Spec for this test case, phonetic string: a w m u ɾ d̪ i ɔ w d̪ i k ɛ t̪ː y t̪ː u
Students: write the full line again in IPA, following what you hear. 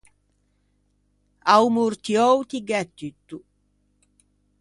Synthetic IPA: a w m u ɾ t̪ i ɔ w t̪ i ɡ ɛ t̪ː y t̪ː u